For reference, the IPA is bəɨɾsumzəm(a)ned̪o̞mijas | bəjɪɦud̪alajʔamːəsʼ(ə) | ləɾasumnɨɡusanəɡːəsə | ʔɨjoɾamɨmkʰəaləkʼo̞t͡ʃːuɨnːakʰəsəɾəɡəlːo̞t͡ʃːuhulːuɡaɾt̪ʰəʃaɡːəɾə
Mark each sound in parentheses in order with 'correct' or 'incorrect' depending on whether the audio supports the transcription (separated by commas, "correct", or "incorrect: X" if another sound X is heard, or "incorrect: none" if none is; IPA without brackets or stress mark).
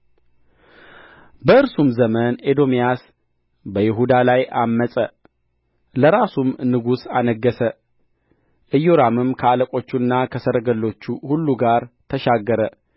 incorrect: ə, correct